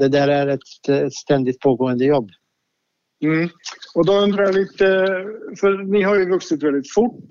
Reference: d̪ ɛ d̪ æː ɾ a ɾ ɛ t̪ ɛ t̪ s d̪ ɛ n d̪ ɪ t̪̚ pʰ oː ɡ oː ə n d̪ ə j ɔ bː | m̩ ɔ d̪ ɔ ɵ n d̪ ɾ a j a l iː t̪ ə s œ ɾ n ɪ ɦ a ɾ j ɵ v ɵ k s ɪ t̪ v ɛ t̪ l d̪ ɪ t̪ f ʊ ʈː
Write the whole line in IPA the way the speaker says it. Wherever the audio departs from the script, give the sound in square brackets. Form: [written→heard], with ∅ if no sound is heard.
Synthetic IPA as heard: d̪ ɛ d̪ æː ɾ [a→æ] ɾ ɛ t̪ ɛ t̪ s [d̪→t̪] ɛ n d̪ ɪ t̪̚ pʰ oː ɡ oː ə n d̪ ə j ɔ bː | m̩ ɔ d̪ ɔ ɵ n d̪ ɾ a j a l iː t̪ ə [s→f] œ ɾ n ɪ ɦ a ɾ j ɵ v ɵ k s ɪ t̪ v ɛ [t̪→∅] l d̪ ɪ t̪ f ʊ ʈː